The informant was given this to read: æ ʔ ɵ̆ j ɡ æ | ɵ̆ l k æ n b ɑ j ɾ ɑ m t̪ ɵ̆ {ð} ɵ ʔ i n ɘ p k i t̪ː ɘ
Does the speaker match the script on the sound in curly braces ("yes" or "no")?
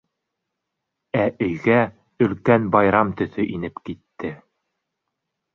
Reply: no